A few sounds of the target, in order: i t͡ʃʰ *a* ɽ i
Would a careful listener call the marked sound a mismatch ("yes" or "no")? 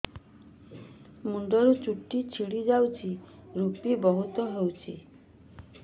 yes